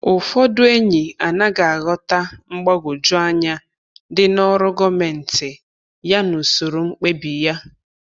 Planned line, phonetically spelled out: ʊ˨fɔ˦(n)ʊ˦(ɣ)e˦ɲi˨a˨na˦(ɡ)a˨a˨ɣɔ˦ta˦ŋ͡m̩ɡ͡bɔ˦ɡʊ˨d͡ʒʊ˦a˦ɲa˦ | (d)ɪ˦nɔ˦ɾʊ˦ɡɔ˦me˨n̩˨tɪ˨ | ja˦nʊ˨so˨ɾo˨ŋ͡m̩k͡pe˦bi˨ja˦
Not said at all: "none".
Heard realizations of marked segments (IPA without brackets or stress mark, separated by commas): d, none, ɡ, d